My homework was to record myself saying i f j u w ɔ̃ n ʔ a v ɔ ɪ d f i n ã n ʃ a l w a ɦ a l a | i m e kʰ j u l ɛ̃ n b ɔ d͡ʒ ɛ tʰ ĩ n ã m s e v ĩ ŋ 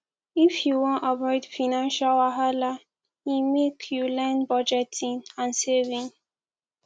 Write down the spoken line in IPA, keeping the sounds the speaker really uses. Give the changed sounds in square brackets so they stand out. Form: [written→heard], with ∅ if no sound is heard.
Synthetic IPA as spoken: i f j u w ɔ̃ n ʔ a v ɔ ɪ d f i n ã n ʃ a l w a ɦ a l a | i m e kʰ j u l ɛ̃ n b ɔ d͡ʒ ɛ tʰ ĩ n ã [m→n] s e v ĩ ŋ